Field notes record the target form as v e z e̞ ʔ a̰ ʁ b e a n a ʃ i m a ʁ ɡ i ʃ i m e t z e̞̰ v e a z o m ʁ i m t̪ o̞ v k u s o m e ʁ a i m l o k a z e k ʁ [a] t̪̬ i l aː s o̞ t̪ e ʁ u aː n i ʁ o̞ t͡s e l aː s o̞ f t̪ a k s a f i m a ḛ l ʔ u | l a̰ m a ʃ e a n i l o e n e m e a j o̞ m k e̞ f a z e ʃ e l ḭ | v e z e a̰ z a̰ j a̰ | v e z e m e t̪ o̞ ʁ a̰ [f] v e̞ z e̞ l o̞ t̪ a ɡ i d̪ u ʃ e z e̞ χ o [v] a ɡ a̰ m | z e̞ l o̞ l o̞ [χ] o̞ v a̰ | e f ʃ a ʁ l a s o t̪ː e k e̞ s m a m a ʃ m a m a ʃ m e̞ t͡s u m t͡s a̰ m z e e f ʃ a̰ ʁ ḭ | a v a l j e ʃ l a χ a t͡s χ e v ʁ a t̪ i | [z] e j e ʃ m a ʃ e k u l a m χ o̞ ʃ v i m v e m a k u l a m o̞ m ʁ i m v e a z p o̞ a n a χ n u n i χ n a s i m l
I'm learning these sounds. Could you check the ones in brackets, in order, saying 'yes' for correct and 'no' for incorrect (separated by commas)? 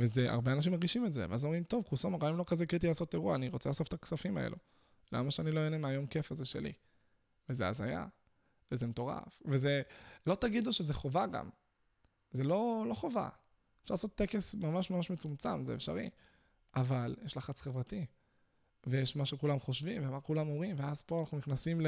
no, yes, yes, yes, no